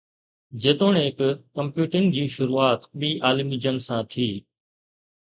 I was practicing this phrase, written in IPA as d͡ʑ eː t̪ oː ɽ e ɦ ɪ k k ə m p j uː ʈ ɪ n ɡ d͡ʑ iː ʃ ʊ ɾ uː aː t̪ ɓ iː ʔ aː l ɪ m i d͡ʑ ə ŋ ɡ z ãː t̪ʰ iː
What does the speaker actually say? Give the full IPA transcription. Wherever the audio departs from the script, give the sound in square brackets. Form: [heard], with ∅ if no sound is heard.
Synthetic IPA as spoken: d͡ʑ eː t̪ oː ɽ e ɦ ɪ k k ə m p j uː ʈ ɪ [ŋ] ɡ d͡ʑ iː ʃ ʊ ɾ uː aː t̪ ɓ iː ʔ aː l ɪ m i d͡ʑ ə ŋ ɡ [s] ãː t̪ʰ iː